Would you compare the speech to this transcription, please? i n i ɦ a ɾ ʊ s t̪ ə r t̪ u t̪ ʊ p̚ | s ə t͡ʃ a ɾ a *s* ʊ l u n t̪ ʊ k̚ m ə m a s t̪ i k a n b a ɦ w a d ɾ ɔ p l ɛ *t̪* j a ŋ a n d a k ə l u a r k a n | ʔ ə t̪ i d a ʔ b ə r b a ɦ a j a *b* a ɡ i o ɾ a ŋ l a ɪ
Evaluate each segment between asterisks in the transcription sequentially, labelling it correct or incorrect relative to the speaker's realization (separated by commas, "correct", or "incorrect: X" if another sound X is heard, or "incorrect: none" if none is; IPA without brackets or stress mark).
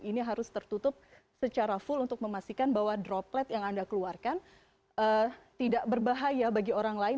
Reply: incorrect: f, correct, correct